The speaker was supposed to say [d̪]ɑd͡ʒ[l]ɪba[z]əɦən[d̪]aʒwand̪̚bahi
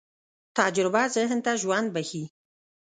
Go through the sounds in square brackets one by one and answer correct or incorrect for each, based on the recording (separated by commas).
incorrect, incorrect, correct, incorrect